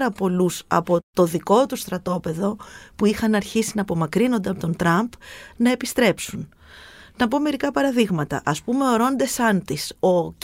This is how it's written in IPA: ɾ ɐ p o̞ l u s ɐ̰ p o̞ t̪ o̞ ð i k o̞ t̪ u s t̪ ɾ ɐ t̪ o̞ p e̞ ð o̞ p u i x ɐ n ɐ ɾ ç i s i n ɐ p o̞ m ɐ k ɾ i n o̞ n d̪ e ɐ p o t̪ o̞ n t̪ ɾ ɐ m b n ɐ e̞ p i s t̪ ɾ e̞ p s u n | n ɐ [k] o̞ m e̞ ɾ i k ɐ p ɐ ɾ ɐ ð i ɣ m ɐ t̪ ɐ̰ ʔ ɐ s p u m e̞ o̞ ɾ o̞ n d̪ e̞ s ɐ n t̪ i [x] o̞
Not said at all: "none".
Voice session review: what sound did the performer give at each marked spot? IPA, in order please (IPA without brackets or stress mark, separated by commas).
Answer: p, s